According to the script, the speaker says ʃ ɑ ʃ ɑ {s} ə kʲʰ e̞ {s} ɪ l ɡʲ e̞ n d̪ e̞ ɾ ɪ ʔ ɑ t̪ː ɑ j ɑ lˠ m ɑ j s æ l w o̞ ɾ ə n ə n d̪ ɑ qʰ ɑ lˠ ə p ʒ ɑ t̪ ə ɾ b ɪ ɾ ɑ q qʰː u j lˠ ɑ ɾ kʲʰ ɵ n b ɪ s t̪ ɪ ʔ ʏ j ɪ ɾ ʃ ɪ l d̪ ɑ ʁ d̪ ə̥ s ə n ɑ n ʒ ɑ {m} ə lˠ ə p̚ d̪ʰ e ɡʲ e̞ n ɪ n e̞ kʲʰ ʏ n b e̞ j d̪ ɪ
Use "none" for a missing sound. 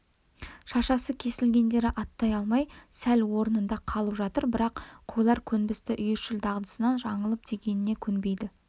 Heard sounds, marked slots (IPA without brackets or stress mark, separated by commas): s, s, ɴ